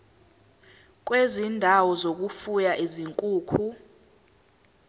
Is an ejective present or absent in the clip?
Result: present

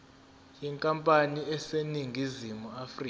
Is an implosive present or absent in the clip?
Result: absent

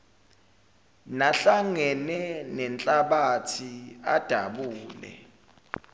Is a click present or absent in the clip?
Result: absent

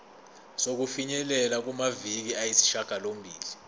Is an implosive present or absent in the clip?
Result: absent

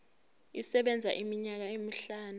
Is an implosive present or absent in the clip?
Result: present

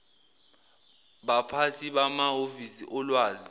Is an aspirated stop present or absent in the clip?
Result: present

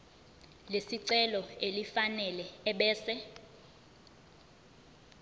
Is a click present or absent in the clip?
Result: present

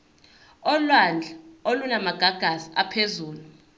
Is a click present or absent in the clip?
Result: absent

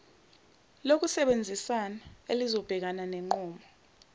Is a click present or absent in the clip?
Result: present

